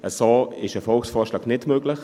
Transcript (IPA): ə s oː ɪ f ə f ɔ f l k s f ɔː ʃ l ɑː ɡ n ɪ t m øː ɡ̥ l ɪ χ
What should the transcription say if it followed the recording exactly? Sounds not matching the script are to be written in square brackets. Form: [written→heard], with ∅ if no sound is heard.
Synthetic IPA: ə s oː ɪ [f→ʃ] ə f ɔ [f→∅] l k s f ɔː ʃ l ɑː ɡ n ɪ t m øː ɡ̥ l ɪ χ